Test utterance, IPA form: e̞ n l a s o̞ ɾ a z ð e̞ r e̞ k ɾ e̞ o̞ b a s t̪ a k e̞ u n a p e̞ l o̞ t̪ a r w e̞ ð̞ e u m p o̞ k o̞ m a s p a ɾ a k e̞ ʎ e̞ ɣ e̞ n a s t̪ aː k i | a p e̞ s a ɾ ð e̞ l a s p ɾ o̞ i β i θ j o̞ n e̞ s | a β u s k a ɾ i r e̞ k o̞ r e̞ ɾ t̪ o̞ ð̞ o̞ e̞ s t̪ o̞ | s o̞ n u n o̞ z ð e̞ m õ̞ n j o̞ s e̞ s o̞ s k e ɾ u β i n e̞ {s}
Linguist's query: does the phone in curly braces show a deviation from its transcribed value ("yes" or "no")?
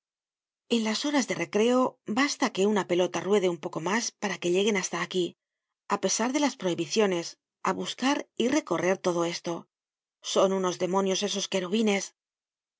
no